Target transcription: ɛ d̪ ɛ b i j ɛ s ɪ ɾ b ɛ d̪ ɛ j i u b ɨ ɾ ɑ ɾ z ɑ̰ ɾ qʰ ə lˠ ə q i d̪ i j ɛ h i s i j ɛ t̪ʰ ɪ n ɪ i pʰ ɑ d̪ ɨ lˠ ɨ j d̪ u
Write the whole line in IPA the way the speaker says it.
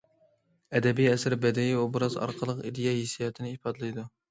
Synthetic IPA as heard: ɛ d̪ ɛ b i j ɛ s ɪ ɾ b ɛ d̪ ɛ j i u b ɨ ɾ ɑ z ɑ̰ ɾ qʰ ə lˠ ə q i d̪ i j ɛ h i s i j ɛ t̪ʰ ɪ n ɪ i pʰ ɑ d̪ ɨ lˠ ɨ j d̪ u

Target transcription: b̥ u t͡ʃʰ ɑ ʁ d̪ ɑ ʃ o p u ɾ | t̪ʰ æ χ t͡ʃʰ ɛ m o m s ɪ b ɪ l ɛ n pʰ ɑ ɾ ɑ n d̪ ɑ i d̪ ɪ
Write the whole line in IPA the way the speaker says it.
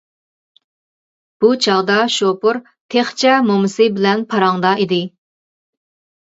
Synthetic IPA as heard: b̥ u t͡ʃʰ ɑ ʁ d̪ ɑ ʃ o p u ɾ | t̪ʰ e χ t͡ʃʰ ɛ m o m s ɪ b ɪ l ɛ n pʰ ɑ ɾ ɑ ŋ d̪ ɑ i d̪ ɪ

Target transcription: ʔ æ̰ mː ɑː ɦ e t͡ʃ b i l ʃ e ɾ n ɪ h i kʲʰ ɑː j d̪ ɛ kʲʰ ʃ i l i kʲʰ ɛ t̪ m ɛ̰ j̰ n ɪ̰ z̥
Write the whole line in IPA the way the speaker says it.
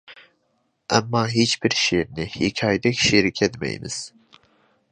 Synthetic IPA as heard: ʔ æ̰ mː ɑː ɦ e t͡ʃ b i ɾ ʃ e ɾ n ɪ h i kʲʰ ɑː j d̪ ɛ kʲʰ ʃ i ɾ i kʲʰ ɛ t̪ m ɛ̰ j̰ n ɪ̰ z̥

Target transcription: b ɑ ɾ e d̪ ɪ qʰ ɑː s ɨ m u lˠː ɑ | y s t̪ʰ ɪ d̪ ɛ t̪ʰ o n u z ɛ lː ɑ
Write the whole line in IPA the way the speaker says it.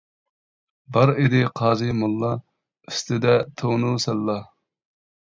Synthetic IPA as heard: b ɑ ɾ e d̪ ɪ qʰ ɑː z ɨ m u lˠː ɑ | y s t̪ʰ ɪ d̪ ɛ t̪ʰ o n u s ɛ lː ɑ

